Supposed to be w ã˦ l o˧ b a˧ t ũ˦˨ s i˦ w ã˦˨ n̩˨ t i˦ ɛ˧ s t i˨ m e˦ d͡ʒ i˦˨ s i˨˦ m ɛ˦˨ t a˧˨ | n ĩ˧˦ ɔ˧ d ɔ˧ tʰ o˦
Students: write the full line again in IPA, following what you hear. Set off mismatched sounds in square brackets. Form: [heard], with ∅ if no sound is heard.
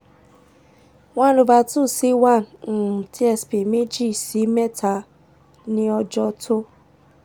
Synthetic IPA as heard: w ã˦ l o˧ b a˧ t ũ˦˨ s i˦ w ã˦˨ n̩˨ t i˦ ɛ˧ s [p] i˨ m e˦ d͡ʒ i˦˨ s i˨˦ m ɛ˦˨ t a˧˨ | n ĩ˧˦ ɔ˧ [d͡ʒ] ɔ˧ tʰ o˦